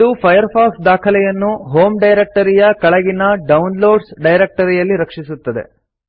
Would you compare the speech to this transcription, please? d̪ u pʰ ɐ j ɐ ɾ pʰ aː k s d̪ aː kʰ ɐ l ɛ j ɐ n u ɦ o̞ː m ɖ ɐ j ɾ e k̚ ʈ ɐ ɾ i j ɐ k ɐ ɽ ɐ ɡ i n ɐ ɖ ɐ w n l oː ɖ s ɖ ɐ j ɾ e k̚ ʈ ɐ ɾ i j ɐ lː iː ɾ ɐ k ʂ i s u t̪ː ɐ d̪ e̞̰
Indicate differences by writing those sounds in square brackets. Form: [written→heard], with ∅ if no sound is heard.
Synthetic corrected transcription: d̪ u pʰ ɐ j ɐ ɾ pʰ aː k s d̪ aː kʰ ɐ l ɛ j ɐ [n→nː] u ɦ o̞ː m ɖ ɐ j ɾ e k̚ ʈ ɐ ɾ i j ɐ k ɐ [ɽ→ɭ] ɐ ɡ i n ɐ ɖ ɐ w n l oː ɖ s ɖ ɐ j ɾ e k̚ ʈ ɐ ɾ i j ɐ lː [iː→i] ɾ ɐ k ʂ i s u t̪ː ɐ d̪ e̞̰